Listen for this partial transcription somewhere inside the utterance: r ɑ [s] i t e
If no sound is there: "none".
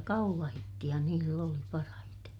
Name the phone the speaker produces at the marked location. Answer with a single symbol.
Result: h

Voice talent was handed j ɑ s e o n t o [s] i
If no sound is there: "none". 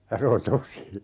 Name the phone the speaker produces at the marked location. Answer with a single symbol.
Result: s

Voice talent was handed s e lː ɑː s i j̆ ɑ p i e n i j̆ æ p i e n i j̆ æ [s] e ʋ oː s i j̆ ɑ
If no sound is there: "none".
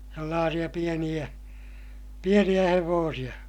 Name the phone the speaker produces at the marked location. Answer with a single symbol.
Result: h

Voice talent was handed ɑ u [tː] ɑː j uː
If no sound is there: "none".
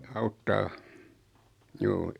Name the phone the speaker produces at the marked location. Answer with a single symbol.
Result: tː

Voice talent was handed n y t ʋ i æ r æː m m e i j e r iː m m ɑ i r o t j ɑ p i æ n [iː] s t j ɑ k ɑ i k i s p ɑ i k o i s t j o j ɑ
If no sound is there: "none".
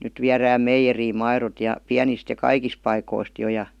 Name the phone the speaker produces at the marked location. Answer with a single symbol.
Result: i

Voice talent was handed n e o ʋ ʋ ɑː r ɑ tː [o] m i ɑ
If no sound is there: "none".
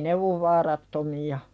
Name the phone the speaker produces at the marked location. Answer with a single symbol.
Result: o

